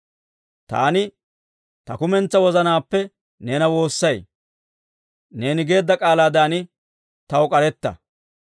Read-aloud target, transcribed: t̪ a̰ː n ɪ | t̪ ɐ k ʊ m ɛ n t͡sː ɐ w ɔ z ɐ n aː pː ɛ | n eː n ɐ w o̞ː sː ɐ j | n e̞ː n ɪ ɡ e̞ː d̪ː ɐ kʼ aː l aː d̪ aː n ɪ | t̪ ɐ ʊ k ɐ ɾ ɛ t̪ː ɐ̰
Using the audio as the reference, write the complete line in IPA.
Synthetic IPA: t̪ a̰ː n ɪ | t̪ ɐ k ʊ m ɛ n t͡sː ɐ w ɔ z ɐ n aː pː ɛ | n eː n ɐ w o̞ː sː ɐ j | n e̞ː n ɪ ɡ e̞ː d̪ː ɐ kʼ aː l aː d̪ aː n ɪ | t̪ ɐ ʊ kʼ ɐ ɾ ɛ t̪ː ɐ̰